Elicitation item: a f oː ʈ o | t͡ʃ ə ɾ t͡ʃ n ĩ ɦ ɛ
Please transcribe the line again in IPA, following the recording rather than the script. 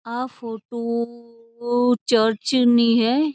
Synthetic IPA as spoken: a f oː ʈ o | t͡ʃ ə ɾ t͡ʃ n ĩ ɦ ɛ